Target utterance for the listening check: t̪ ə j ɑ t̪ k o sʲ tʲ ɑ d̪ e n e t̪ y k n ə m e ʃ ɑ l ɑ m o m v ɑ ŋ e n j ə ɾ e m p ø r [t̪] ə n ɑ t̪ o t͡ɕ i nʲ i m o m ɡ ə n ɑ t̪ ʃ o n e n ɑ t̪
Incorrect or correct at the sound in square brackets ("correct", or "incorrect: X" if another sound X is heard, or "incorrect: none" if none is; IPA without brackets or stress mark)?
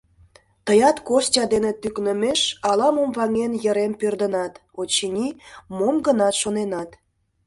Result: incorrect: d̪